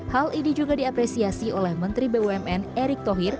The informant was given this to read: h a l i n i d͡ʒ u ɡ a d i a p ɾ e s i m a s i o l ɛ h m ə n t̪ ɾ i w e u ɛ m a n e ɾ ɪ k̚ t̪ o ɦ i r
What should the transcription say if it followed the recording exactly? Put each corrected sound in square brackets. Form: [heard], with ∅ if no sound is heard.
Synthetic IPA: h a l i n i d͡ʒ u ɡ a d i a p ɾ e s i [∅] a s i o l ɛ h m ə n t̪ ɾ i [b] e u ɛ m [ɛ] n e ɾ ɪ k̚ t̪ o ɦ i r